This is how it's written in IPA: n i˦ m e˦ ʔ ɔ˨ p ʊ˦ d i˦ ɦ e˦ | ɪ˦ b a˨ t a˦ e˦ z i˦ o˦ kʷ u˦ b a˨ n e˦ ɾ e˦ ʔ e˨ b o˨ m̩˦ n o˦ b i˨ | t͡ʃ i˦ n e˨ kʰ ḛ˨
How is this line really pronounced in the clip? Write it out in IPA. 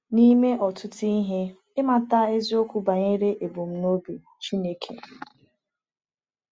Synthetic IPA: n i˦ m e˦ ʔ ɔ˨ t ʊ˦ t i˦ ɦ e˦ | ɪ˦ m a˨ t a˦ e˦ z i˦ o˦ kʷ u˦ b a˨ ɲ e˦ ɾ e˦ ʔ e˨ b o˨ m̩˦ n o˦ b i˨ | t͡ʃ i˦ n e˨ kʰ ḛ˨